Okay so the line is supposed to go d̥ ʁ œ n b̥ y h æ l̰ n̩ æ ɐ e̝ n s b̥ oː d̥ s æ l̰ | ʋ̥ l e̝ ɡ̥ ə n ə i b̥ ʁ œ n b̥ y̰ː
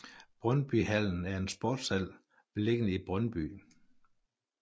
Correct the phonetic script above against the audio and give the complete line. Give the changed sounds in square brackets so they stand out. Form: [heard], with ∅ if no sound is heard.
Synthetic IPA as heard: [b̥] ʁ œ n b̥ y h æ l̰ n̩ æ ɐ e̝ n s b̥ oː d̥ s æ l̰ | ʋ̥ l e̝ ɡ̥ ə n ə i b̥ ʁ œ n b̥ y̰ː